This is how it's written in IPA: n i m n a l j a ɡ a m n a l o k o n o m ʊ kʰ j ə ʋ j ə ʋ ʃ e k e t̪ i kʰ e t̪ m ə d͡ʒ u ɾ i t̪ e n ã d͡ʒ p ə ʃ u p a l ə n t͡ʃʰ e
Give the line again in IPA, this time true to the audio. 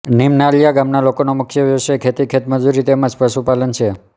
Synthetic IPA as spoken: n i m n a l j a ɡ a m n a l o k o n o m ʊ kʰ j ə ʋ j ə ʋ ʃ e kʰ e t̪ i kʰ e t̪ m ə d͡ʒ u ɾ i t̪ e m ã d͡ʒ p ə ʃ u p a l ə n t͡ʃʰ e